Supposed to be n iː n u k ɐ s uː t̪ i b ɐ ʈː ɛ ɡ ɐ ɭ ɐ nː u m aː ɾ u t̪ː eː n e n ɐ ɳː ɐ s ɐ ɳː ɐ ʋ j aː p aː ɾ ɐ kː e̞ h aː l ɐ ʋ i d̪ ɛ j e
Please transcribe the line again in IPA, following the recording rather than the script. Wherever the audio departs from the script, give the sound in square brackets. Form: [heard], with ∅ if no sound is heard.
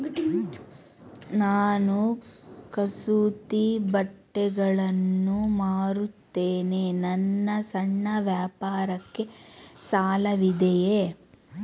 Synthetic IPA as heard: n [aː] n u k ɐ s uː t̪ i b ɐ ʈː ɛ ɡ ɐ ɭ ɐ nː u m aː ɾ u t̪ː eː n e n ɐ [nː] ɐ s ɐ ɳː ɐ ʋ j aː p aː ɾ ɐ kː e̞ [s] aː l ɐ ʋ i d̪ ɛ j e

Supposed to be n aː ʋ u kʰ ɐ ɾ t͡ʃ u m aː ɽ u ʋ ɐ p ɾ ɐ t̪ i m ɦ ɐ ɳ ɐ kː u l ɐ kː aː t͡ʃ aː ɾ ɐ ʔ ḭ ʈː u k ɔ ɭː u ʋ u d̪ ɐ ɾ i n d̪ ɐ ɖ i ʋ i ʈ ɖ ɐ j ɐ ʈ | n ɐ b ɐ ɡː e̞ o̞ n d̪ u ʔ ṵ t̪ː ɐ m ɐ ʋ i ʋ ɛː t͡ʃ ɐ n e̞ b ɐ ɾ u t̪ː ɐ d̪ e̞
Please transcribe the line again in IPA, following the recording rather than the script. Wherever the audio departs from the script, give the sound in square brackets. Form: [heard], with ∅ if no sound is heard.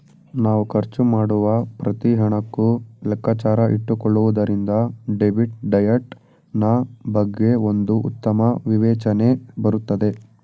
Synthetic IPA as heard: n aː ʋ u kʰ ɐ ɾ t͡ʃ u m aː ɽ u ʋ ɐ p ɾ ɐ t̪ i [∅] ɦ ɐ ɳ ɐ kː u l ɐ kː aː t͡ʃ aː ɾ ɐ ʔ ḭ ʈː u k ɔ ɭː u ʋ u d̪ ɐ ɾ i n d̪ ɐ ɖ [e] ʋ i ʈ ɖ ɐ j ɐ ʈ | n ɐ b ɐ ɡː e̞ o̞ n d̪ u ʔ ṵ t̪ː ɐ m ɐ ʋ i ʋ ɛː t͡ʃ ɐ n e̞ b ɐ ɾ u t̪ː ɐ d̪ e̞

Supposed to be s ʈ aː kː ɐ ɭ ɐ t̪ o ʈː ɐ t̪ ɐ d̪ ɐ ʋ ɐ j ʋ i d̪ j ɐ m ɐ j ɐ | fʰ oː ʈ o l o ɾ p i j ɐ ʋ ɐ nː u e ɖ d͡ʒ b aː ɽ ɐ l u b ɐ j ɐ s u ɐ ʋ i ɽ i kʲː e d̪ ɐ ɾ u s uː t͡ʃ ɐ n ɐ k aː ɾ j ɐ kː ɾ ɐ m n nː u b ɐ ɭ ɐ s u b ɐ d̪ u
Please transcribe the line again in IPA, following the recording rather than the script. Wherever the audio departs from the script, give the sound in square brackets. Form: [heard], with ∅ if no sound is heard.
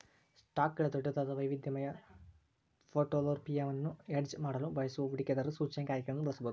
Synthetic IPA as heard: s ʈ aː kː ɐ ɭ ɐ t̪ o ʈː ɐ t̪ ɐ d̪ ɐ ʋ ɐ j ʋ i d̪ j ɐ m ɐ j ɐ | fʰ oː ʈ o l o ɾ p i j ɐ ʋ ɐ nː u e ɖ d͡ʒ [m] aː ɽ ɐ l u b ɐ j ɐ s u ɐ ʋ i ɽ i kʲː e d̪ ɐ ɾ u s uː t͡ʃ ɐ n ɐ k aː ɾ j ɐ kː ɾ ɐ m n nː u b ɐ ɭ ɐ s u b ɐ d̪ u

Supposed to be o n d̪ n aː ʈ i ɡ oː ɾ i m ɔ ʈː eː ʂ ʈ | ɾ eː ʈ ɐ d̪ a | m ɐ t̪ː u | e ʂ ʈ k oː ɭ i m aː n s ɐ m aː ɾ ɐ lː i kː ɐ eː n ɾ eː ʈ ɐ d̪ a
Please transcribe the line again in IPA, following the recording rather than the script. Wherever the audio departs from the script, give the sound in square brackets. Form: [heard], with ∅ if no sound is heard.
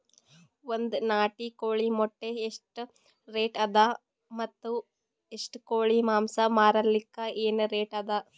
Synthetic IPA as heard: o n d̪ n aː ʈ i [k] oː [ɭ] i m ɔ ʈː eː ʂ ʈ | ɾ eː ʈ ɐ d̪ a | m ɐ t̪ː u | e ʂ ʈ k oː ɭ i m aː [m] s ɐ m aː ɾ ɐ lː i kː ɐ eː n ɾ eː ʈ ɐ d̪ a

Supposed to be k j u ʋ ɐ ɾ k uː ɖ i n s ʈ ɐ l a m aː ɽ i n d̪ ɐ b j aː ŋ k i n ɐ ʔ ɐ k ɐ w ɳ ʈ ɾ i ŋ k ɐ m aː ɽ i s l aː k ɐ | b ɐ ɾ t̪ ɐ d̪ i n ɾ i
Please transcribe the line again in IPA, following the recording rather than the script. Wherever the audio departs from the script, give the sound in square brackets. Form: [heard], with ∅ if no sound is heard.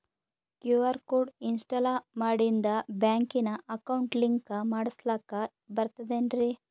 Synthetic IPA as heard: k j u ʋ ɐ ɾ k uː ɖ i n s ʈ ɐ l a m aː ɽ i n d̪ ɐ b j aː ŋ k i n ɐ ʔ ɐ k ɐ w ɳ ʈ [l] i ŋ k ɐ m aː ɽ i s l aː k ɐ | b ɐ ɾ t̪ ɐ d̪ [e] n ɾ i

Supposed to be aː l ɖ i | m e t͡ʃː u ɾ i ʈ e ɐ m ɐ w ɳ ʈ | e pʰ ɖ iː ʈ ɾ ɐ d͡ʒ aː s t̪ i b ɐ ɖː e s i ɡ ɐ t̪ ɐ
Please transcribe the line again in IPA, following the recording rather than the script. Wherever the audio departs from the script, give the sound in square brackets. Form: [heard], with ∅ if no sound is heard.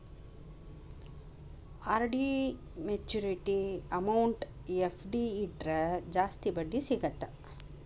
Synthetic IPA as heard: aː [ɾ] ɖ i | m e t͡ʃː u ɾ i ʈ [i] ɐ m ɐ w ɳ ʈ | e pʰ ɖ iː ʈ ɾ ɐ d͡ʒ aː s t̪ i b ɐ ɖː [i] s i ɡ ɐ t̪ ɐ

